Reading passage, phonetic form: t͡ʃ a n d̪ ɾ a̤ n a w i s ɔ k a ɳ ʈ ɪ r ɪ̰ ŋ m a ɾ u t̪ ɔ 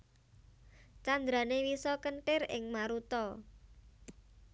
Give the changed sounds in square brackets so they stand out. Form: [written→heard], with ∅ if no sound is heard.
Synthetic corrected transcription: t͡ʃ a n d̪ ɾ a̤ n [a→e] w i s ɔ k [a→ə] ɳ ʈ ɪ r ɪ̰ ŋ m a ɾ u t̪ ɔ